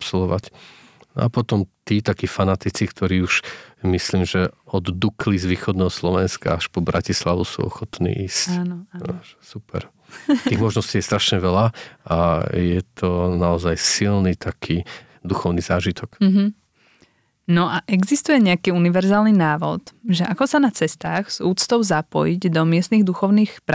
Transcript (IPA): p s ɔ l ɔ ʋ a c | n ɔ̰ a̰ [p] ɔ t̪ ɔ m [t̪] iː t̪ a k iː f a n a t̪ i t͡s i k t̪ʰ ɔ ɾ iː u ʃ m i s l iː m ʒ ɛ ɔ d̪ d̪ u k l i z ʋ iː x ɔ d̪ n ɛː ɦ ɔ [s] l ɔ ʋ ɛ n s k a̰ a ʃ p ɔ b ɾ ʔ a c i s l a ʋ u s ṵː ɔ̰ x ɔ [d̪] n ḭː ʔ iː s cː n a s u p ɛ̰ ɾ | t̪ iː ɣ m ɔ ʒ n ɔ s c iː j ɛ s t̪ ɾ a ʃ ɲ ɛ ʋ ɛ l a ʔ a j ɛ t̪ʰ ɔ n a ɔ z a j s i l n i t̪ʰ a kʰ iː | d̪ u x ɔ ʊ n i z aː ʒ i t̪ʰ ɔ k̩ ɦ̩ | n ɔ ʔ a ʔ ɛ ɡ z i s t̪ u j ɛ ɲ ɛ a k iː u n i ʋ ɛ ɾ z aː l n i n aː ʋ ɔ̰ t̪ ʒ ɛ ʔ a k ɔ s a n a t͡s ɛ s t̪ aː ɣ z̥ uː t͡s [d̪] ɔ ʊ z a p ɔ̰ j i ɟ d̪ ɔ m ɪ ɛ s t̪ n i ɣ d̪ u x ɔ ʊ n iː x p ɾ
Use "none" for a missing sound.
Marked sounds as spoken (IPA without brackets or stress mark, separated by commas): p, t̪, s, t̪, t̪